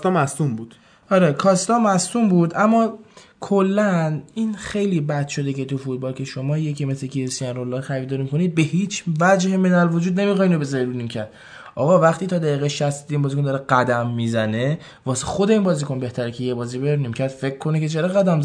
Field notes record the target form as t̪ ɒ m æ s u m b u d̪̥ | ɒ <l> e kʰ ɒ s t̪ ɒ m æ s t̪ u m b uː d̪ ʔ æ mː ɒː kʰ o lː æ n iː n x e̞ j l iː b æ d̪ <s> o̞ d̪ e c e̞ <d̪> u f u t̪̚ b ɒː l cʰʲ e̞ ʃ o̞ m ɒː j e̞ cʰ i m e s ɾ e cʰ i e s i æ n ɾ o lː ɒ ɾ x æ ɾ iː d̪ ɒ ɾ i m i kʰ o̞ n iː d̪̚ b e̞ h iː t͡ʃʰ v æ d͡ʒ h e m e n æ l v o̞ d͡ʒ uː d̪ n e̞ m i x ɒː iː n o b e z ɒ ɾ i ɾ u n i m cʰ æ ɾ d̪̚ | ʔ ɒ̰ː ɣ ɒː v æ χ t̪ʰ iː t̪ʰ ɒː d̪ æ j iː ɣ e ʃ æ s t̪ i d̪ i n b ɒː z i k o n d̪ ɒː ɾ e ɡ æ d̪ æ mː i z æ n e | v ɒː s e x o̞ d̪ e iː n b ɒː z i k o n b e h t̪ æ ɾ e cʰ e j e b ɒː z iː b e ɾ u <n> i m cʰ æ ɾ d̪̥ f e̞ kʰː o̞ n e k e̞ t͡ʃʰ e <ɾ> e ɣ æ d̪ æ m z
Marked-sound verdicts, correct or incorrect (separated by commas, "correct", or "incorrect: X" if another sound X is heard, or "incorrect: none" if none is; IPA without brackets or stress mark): incorrect: ɾ, incorrect: ʃ, incorrect: t̪, correct, correct